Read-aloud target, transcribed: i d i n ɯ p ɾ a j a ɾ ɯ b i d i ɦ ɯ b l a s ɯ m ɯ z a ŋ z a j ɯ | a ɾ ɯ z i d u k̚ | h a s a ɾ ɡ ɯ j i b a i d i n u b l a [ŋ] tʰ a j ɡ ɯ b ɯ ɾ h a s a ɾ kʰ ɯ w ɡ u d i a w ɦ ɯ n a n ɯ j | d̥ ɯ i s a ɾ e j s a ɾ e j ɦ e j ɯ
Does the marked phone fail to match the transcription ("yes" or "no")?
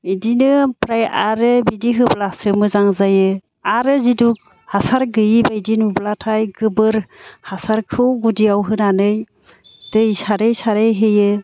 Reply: yes